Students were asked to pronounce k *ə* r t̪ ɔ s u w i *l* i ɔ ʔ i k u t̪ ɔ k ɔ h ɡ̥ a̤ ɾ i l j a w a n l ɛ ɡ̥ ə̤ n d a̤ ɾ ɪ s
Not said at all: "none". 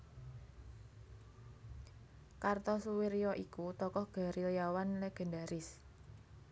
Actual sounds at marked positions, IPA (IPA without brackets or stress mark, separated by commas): a, ɾ